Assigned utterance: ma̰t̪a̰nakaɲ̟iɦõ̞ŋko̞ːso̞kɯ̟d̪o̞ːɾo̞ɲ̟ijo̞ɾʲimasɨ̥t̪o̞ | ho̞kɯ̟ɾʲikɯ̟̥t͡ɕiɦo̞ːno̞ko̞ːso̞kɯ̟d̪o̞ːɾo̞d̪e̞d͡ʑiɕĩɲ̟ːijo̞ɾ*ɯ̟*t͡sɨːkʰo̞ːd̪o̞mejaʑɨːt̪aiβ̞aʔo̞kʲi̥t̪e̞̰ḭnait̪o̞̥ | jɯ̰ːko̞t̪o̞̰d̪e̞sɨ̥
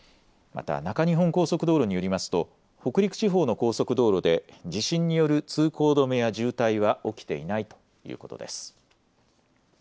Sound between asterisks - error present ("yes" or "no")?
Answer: no